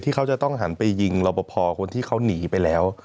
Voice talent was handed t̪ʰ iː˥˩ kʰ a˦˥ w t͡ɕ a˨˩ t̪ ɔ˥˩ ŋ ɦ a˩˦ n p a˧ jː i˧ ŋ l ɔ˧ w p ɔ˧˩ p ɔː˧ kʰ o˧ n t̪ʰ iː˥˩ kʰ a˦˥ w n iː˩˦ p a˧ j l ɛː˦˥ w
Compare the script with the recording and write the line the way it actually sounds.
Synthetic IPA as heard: t̪ʰ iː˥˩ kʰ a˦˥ w t͡ɕ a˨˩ t̪ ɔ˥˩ ŋ ɦ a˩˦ n p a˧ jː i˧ ŋ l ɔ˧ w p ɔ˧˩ pʰ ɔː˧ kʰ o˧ n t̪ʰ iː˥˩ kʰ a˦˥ w n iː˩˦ p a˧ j l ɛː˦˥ w